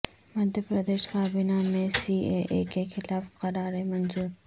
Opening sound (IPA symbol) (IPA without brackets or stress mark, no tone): m